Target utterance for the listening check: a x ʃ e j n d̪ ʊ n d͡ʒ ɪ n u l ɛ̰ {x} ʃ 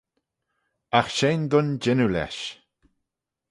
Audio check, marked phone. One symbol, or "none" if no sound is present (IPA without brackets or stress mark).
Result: none